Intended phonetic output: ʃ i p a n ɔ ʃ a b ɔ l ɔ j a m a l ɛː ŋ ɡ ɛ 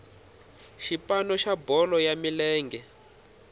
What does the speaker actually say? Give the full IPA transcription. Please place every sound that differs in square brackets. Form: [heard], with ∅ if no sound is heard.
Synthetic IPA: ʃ i p a n ɔ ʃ a b ɔ l ɔ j a m [i] l ɛː ŋ ɡ ɛ